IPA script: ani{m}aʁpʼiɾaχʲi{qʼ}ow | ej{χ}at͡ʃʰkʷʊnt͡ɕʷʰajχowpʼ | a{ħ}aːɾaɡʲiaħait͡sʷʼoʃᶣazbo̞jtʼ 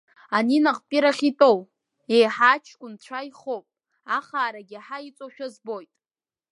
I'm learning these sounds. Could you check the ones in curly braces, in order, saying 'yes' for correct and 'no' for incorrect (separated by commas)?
no, no, no, no